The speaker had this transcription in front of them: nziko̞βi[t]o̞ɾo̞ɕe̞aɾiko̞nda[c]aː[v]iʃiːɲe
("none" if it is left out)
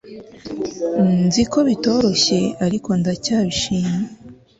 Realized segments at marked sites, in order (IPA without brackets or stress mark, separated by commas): t, c, β